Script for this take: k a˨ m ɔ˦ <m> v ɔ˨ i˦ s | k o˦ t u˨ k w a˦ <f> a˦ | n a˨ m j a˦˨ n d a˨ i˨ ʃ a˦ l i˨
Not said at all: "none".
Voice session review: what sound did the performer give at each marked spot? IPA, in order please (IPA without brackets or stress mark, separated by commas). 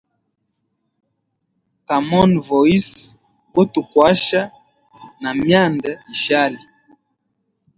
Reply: n, ʃ